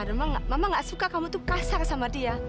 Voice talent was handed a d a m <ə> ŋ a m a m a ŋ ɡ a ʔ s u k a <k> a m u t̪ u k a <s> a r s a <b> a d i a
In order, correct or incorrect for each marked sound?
incorrect: a, correct, correct, incorrect: m

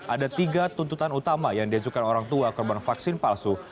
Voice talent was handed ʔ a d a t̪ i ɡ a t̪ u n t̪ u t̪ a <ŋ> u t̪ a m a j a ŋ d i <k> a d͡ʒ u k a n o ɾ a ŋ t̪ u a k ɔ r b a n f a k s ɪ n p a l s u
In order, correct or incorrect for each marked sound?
incorrect: n, incorrect: none

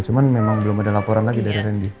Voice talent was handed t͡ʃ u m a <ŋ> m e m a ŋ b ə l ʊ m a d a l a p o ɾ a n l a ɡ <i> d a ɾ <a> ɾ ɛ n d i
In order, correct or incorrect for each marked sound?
incorrect: n, correct, incorrect: i

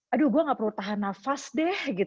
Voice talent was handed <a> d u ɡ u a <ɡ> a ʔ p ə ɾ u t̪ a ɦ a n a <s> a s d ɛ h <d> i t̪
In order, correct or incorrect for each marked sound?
correct, incorrect: ŋ, incorrect: f, incorrect: ɡ

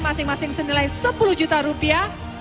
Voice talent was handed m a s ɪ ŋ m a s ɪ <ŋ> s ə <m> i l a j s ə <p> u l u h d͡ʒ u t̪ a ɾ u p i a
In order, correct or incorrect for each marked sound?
correct, incorrect: n, correct

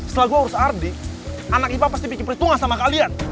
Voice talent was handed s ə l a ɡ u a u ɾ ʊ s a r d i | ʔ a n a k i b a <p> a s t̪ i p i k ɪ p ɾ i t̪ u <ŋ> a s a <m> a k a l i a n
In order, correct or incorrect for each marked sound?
correct, correct, correct

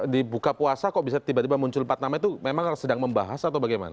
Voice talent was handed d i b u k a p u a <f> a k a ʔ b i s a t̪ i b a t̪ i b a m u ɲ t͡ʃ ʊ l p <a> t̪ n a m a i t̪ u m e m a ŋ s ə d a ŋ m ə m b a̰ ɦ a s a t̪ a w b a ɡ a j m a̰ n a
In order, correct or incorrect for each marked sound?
incorrect: s, correct

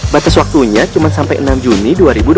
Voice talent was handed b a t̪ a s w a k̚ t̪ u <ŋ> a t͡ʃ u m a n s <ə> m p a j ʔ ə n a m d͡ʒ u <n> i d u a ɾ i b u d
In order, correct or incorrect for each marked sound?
incorrect: ɲ, incorrect: a, correct

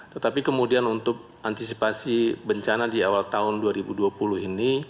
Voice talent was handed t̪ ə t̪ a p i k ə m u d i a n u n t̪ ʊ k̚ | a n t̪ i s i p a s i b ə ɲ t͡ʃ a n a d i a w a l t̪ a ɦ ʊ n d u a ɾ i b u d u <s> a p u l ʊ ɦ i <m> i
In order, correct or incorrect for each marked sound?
incorrect: none, incorrect: n

